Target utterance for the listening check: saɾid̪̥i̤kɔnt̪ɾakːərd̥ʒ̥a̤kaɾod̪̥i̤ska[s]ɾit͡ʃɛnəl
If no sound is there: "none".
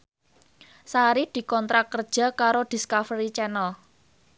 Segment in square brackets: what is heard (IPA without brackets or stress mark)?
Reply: f